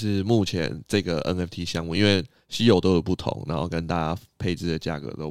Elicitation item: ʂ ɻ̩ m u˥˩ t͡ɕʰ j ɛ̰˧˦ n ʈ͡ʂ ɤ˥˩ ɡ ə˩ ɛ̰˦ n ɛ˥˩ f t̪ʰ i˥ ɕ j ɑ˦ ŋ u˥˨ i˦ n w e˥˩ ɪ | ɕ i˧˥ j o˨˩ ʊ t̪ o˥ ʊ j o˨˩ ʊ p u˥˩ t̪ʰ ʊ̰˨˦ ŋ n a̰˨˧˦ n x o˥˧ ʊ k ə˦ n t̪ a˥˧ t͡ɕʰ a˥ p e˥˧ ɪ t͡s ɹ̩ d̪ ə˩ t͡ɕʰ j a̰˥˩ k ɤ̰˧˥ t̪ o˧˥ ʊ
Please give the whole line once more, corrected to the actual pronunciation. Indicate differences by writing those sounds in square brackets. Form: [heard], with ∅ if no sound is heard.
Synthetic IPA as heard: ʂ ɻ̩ m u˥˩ t͡ɕʰ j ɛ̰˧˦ n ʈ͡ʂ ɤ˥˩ ɡ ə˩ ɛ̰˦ n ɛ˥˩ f t̪ʰ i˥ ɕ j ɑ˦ ŋ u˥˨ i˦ n w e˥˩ ɪ | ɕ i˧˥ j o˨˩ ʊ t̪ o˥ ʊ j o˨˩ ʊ p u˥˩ t̪ʰ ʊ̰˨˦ ŋ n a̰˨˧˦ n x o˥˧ ʊ k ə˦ n t̪ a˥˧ [t͡ɕ] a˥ [pʰ] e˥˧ ɪ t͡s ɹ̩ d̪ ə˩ [t͡ɕ] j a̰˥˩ k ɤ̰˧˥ t̪ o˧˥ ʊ